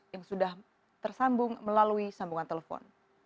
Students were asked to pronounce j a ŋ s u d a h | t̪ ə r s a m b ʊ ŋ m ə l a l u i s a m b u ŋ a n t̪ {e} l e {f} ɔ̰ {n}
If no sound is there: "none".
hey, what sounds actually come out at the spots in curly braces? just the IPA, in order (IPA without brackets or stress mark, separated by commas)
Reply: e, f, n